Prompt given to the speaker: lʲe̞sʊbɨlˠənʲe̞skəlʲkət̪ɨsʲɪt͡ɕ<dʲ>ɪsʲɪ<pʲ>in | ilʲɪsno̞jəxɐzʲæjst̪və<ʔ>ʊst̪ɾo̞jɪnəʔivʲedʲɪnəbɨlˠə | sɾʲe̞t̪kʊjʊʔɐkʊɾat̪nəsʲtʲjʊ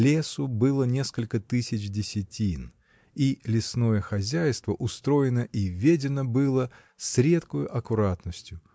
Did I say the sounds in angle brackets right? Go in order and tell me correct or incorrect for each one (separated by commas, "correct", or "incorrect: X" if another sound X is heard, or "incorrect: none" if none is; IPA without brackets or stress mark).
correct, incorrect: tʲ, correct